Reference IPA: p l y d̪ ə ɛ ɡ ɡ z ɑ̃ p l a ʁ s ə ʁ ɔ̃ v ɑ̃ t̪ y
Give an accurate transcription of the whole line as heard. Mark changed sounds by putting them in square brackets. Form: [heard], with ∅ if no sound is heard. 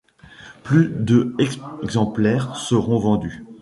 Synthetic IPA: p l y d̪ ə ɛ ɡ ɡ z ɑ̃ p l [ɛ] ʁ s ə ʁ ɔ̃ v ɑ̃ [d̪] y